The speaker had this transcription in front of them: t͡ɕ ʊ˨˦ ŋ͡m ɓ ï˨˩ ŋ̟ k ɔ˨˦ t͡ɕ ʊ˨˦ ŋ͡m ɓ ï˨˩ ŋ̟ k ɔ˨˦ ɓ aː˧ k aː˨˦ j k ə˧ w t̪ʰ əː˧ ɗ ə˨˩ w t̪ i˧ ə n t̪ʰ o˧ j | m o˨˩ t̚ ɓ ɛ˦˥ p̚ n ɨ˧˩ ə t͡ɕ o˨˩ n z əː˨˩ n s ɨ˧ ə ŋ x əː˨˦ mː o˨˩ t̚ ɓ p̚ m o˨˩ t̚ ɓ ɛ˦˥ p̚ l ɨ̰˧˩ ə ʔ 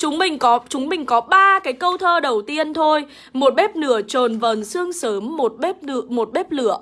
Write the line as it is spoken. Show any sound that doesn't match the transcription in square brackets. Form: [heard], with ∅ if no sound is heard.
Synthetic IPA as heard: t͡ɕ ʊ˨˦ ŋ͡m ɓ ï˨˩ ŋ̟ k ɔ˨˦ t͡ɕ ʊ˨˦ ŋ͡m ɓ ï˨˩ ŋ̟ k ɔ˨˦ ɓ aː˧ k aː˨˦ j k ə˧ w t̪ʰ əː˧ ɗ ə˨˩ w t̪ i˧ ə n t̪ʰ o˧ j | m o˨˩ t̚ ɓ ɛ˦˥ p̚ n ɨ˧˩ ə t͡ɕ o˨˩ n [v] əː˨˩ n s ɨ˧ ə ŋ [s] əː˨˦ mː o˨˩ t̚ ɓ p̚ m o˨˩ t̚ ɓ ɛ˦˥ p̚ l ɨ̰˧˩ ə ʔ

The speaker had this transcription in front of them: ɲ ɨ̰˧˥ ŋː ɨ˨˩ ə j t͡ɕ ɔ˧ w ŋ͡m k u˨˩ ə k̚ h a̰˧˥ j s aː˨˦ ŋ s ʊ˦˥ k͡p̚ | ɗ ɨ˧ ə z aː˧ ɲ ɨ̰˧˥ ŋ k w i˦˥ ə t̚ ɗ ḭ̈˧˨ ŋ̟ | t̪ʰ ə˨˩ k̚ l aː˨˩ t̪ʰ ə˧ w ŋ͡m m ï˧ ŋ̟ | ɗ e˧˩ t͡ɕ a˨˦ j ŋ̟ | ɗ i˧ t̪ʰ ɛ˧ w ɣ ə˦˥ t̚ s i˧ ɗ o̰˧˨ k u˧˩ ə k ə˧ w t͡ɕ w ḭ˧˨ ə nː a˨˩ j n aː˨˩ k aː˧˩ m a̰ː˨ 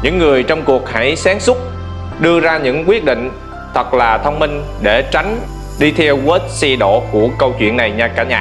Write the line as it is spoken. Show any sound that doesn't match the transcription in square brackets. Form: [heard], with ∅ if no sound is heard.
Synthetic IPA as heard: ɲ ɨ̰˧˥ ŋː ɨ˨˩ ə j t͡ɕ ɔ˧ w ŋ͡m k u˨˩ ə k̚ h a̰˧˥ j s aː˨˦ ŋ s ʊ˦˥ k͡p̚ | ɗ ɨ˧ ə z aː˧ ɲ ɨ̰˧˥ ŋ k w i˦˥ ə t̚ ɗ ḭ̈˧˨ ŋ̟ | t̪ʰ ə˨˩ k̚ l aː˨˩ t̪ʰ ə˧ w ŋ͡m m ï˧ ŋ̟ | ɗ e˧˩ t͡ɕ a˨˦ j ŋ̟ | ɗ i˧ t̪ʰ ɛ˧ w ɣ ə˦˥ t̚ s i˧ ɗ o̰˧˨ k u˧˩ ə k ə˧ w t͡ɕ w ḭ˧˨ ə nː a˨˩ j [ɲ] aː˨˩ k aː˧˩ [ɲ] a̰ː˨

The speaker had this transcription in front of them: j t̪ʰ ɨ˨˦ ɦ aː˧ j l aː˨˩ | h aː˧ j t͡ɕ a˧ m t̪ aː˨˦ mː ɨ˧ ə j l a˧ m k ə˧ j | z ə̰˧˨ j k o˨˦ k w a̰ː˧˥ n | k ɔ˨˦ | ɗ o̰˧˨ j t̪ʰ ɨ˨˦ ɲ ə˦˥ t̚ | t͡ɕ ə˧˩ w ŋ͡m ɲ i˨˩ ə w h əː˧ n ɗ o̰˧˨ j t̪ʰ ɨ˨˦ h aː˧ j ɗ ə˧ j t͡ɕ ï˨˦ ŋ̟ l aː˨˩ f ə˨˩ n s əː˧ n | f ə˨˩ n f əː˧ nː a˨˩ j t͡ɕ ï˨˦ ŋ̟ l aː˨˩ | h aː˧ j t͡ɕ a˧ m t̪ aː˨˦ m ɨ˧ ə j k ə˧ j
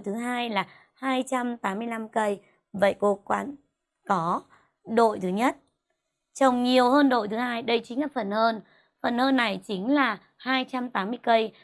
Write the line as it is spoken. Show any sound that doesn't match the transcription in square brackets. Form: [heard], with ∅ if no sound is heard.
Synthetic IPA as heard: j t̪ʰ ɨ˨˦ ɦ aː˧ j l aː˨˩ | h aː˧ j t͡ɕ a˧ m t̪ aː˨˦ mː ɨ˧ ə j l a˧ m k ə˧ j | [v] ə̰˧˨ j k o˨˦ k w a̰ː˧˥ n | k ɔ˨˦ | ɗ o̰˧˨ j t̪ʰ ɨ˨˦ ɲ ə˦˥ t̚ | t͡ɕ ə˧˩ w ŋ͡m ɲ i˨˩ ə w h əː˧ n ɗ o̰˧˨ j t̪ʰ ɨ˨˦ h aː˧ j ɗ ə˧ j t͡ɕ ï˨˦ ŋ̟ l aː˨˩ f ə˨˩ n [h] əː˧ n | f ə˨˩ n [h] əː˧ nː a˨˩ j t͡ɕ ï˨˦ ŋ̟ l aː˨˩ | h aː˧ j t͡ɕ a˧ m t̪ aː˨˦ m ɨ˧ ə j k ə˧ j

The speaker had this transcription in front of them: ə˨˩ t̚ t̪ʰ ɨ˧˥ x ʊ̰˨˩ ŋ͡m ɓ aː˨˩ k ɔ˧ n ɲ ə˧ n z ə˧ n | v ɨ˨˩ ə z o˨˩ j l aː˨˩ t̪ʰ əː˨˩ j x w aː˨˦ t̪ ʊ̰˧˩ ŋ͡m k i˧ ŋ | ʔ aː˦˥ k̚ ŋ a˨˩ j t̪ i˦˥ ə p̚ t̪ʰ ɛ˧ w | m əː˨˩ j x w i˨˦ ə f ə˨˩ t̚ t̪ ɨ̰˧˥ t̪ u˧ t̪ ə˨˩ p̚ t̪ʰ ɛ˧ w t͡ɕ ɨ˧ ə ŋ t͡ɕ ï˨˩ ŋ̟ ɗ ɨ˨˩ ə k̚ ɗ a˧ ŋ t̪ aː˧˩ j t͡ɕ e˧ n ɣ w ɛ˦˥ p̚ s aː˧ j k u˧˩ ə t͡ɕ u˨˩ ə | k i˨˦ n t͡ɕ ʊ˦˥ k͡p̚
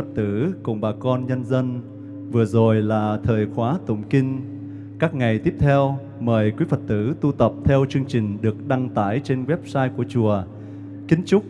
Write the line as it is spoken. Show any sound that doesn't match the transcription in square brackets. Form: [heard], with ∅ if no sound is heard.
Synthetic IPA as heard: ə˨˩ t̚ [t̪] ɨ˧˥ [k] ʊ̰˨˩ ŋ͡m ɓ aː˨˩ k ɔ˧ n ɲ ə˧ n z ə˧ n | v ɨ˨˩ ə z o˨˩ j l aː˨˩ t̪ʰ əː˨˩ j x w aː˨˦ t̪ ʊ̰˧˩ ŋ͡m k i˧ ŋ | [k] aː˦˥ k̚ ŋ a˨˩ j t̪ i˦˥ ə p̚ t̪ʰ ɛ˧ w | m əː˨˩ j [k] w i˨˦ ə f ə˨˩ t̚ t̪ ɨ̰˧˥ t̪ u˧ t̪ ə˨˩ p̚ t̪ʰ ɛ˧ w t͡ɕ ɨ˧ ə ŋ t͡ɕ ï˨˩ ŋ̟ ɗ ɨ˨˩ ə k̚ ɗ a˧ ŋ t̪ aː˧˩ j t͡ɕ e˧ n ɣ w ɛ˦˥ p̚ s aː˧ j k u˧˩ ə t͡ɕ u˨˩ ə | k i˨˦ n t͡ɕ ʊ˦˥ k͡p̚

